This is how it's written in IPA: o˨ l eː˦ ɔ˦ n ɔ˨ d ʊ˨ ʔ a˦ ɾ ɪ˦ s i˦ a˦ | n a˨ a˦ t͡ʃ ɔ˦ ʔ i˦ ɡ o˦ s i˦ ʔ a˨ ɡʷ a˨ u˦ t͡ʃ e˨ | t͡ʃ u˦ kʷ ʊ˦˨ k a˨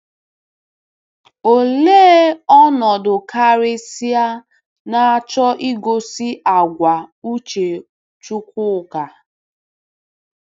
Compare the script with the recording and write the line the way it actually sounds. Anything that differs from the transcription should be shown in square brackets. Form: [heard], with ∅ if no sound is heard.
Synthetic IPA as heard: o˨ l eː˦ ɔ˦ n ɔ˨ d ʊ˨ [k] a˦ ɾ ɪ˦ s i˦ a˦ | n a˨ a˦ t͡ʃ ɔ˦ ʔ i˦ ɡ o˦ s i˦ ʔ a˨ ɡʷ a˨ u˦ t͡ʃ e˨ | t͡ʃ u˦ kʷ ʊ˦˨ k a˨